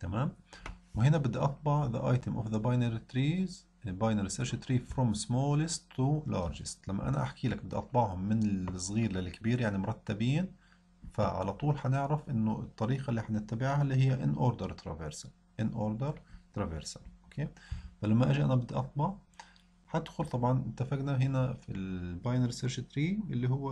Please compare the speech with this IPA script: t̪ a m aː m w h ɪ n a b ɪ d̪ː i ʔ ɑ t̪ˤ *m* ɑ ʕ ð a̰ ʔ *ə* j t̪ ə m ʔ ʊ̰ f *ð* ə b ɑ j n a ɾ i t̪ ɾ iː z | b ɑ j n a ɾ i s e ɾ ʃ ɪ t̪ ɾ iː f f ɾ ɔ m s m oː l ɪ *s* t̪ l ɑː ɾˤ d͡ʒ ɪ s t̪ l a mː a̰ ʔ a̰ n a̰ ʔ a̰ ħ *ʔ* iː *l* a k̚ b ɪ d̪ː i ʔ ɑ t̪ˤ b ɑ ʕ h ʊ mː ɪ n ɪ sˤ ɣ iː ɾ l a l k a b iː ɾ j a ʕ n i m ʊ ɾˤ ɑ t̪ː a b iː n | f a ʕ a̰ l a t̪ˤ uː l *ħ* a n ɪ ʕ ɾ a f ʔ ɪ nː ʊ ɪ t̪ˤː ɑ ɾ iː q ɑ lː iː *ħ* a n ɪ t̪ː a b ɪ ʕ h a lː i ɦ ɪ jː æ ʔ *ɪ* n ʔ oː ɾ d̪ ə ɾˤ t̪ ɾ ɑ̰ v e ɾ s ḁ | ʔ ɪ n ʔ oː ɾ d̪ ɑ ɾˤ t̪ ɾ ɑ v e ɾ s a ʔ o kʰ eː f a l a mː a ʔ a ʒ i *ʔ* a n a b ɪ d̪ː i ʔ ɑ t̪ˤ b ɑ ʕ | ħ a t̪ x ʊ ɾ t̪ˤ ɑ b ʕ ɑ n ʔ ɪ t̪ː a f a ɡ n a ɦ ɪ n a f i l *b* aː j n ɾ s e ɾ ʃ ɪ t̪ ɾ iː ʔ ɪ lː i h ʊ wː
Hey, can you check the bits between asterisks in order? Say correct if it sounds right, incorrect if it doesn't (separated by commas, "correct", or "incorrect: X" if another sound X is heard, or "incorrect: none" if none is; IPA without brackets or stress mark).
incorrect: b, incorrect: ɑ, correct, correct, incorrect: k, correct, correct, correct, correct, correct, correct